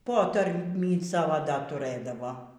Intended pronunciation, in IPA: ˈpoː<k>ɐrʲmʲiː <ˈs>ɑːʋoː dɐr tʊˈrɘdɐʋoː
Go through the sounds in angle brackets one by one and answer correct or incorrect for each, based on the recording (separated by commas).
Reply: incorrect, correct